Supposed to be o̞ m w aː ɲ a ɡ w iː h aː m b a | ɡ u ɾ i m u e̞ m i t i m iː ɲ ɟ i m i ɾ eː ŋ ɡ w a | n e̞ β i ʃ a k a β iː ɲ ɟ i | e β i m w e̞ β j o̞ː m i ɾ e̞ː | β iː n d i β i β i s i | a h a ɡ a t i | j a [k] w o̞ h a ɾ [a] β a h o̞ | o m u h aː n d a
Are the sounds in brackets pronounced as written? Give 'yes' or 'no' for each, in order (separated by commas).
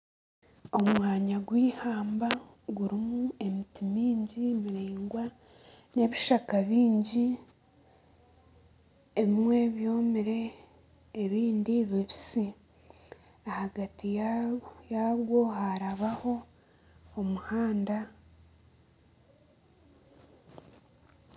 no, yes